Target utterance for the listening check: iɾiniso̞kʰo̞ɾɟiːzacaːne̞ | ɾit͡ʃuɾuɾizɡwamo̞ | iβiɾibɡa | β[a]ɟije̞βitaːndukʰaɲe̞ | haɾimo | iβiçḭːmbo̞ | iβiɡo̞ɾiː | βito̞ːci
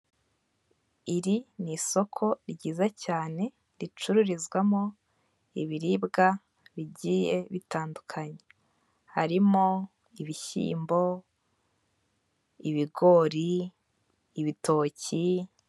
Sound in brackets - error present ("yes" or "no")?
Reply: yes